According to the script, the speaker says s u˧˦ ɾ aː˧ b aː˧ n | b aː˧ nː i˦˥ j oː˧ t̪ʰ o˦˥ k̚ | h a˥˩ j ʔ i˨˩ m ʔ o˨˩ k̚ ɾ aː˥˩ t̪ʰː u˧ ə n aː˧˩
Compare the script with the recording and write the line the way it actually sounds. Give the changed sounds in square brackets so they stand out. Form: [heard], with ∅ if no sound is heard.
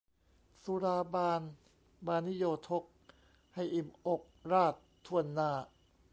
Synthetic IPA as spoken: s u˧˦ ɾ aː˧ b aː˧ n | b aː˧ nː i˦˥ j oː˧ t̪ʰ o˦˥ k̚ | h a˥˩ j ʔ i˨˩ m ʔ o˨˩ k̚ ɾ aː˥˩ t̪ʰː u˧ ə [nː] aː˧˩